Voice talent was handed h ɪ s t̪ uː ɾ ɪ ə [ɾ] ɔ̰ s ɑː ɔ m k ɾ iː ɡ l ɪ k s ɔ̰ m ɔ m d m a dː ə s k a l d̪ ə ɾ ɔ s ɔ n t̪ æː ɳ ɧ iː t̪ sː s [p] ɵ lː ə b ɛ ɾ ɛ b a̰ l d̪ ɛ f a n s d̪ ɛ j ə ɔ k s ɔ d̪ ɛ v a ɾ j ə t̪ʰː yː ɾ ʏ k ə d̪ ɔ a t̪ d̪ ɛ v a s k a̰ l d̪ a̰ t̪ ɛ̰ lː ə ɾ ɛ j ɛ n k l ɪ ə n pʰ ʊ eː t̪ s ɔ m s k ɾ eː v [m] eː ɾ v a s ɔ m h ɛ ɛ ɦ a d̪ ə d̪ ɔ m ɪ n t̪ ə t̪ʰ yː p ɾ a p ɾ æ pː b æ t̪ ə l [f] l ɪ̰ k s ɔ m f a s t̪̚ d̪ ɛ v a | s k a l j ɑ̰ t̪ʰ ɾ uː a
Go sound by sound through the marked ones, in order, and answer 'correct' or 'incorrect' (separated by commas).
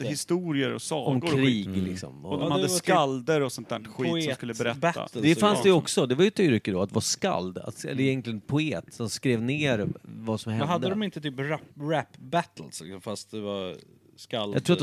correct, incorrect, incorrect, incorrect